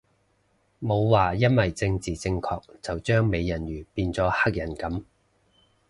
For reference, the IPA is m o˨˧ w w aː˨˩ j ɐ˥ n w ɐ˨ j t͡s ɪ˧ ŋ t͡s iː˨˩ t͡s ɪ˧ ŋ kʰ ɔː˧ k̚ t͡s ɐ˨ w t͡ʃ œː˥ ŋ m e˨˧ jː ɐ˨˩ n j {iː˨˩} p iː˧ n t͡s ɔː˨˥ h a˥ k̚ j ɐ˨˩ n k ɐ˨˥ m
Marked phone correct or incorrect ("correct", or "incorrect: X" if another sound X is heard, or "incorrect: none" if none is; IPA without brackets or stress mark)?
incorrect: yː˨˩